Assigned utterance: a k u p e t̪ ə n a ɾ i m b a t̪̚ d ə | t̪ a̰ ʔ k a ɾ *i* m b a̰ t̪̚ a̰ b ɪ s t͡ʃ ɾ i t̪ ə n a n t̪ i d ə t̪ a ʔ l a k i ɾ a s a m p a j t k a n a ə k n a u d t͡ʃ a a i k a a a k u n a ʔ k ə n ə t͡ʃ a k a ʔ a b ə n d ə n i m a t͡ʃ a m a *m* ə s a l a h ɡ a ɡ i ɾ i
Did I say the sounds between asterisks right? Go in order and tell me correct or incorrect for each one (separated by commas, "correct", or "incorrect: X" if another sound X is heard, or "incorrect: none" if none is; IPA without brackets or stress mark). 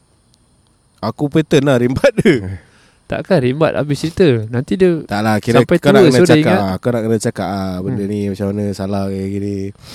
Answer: correct, incorrect: n